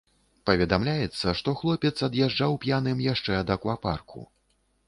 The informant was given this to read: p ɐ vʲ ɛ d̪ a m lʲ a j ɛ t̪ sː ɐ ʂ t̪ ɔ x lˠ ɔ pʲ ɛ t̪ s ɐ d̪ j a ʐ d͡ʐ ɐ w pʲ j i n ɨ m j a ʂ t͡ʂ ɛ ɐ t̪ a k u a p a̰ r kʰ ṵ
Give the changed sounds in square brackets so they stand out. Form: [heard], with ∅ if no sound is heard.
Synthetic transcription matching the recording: p ɐ vʲ ɛ d̪ a m lʲ a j ɛ t̪ sː ɐ ʂ t̪ ɔ x lˠ ɔ pʲ ɛ t̪ s ɐ d̪ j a ʐ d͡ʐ [a] w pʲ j [a] n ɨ m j a ʂ t͡ʂ ɛ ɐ [d̪] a k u a p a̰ r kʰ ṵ